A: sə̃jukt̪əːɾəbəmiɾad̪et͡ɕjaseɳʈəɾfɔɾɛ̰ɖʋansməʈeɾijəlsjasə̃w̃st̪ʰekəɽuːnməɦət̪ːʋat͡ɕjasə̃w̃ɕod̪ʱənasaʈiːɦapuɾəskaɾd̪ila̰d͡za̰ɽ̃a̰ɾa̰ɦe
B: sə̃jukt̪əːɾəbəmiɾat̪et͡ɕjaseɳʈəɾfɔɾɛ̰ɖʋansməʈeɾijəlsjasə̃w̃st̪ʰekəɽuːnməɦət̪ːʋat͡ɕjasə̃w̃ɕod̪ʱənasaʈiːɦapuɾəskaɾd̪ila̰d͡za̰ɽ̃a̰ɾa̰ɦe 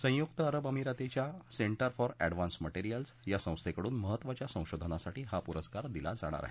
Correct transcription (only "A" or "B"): B